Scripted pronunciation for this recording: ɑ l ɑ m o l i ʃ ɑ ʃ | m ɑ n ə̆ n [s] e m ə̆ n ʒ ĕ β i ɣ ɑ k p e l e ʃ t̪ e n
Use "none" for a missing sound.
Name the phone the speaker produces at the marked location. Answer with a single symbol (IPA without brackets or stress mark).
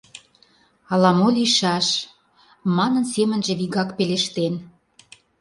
s